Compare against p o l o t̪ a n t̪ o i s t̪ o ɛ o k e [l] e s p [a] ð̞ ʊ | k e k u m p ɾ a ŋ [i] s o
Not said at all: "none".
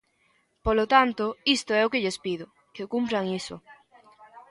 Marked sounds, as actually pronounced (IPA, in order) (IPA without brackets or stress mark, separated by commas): ʎ, i, i